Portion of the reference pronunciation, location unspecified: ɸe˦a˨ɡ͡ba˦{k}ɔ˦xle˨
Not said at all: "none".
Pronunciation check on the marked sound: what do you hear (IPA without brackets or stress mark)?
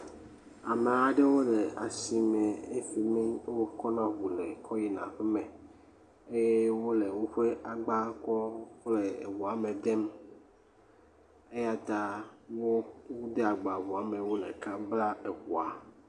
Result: k